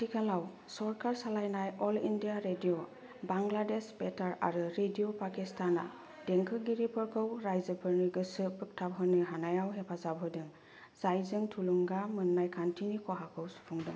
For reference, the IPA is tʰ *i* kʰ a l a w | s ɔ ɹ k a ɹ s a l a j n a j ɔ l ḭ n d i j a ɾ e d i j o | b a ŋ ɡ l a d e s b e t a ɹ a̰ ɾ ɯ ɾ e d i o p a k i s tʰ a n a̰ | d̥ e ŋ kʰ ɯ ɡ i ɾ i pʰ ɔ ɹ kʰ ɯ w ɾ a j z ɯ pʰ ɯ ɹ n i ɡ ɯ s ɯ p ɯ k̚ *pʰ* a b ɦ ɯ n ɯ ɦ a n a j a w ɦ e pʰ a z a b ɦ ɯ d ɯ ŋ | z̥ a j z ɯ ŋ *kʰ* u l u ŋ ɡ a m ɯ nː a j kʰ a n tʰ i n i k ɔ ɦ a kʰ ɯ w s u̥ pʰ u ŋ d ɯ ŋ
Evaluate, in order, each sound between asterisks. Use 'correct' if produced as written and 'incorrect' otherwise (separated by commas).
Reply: correct, incorrect, incorrect